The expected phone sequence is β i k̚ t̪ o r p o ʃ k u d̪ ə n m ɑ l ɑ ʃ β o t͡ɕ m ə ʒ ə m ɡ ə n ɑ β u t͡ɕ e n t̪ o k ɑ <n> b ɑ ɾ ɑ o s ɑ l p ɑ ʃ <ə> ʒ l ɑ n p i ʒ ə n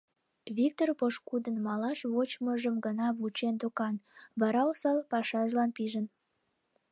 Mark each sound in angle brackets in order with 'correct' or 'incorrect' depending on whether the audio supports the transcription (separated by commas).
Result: correct, incorrect